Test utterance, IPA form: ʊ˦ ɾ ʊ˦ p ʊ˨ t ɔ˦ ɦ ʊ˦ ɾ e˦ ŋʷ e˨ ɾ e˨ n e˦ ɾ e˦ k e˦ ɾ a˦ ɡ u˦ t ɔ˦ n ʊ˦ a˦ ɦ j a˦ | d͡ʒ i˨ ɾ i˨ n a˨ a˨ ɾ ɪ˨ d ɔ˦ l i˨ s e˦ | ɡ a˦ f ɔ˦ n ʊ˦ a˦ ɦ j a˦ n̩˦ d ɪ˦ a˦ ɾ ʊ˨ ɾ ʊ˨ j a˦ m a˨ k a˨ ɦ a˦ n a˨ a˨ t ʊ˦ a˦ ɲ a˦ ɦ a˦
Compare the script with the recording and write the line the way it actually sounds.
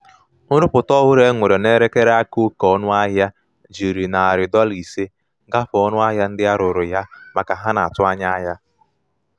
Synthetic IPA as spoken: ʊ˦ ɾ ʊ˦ p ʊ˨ t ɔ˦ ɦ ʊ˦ ɾ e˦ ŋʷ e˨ ɾ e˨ n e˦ ɾ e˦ k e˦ ɾ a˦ k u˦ k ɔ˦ n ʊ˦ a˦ ɦ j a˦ | d͡ʒ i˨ ɾ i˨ n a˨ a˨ ɾ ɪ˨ d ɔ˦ l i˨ s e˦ | ɡ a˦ f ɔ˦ n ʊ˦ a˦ ɦ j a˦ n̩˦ d ɪ˦ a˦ ɾ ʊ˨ ɾ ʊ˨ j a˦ m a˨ k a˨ ɦ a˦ n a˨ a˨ t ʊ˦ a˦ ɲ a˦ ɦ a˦

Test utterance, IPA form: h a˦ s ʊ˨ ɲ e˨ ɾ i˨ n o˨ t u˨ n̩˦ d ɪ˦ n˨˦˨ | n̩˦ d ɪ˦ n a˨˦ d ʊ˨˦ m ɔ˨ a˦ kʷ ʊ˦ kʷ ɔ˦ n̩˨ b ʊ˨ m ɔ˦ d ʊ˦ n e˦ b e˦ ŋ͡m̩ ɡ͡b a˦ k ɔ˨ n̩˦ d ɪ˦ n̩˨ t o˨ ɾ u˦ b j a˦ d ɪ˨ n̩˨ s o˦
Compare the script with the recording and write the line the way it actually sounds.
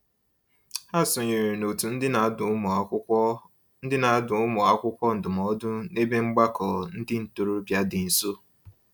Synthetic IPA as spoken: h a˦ s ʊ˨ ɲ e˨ ɾ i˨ n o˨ t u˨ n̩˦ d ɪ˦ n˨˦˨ | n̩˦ d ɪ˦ n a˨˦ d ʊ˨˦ m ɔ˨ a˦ kʷ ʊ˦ kʷ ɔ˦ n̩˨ d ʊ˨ m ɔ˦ d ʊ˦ n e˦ b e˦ ŋ͡m̩ ɡ͡b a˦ k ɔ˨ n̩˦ d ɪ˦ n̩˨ t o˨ ɾ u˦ b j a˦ d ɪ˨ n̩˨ s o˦

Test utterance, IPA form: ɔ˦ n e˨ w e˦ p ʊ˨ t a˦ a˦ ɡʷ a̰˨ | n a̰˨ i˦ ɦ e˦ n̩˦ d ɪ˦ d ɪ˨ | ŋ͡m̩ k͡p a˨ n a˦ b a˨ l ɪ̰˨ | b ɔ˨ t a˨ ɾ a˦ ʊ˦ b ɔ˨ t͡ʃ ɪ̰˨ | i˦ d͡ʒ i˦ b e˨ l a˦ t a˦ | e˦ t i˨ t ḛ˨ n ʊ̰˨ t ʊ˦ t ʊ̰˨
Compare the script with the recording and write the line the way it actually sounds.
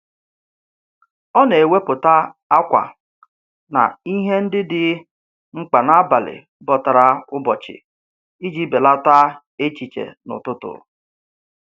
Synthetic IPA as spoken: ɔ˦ n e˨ w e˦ p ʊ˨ t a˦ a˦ kʷ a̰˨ | n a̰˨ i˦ ɦ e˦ n̩˦ d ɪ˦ d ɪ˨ | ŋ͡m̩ k͡p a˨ n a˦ b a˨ l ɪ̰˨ | b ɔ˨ t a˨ ɾ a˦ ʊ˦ b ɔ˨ t͡ʃ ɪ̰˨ | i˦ d͡ʒ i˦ b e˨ l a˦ t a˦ | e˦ t͡ʃ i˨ t͡ʃ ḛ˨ n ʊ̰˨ t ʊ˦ t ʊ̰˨

